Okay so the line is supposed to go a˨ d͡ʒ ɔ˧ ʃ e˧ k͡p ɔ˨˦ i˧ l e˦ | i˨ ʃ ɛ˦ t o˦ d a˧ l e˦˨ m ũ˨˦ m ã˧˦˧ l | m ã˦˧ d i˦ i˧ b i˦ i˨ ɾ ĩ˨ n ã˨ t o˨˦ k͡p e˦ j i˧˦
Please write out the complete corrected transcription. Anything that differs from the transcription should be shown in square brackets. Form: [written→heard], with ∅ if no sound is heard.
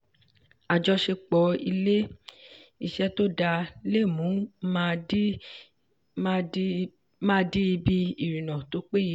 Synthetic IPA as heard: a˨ d͡ʒ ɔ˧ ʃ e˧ k͡p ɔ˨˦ i˧ l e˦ | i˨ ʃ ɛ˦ t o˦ d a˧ l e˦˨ m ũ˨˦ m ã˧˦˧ [l→∅] | m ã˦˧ d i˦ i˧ b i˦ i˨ ɾ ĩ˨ n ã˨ t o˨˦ k͡p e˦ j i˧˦